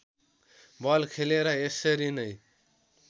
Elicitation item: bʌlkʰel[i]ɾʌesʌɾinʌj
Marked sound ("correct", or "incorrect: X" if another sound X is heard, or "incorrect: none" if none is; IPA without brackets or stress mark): incorrect: e